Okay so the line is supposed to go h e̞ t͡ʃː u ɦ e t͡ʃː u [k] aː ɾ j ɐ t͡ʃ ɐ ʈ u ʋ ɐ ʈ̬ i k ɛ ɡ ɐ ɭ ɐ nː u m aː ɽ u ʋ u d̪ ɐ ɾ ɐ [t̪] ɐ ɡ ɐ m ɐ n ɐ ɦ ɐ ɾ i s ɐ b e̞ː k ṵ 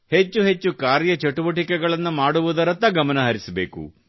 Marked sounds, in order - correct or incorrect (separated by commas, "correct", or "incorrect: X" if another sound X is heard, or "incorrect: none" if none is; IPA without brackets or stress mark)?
correct, correct